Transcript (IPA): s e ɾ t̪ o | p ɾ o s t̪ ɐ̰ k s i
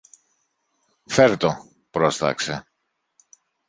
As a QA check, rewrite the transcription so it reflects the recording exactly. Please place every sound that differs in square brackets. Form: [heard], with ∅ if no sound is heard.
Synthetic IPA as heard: [f] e ɾ t̪ o | p ɾ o s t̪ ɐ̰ k s [e]